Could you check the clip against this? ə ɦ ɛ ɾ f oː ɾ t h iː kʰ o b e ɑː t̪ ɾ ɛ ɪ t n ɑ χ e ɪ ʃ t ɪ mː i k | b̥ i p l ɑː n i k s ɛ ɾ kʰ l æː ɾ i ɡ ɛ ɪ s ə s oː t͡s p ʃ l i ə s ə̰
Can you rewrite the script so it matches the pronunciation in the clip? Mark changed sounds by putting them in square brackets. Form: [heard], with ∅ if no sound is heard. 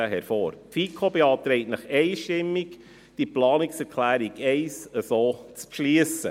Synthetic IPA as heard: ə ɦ ɛ ɾ f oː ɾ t [f] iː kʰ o b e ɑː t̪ ɾ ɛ ɪ t n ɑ χ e ɪ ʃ t ɪ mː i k | [d̥] i p l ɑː n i k s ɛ ɾ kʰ l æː ɾ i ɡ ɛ ɪ s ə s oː t͡s p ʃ l i ə s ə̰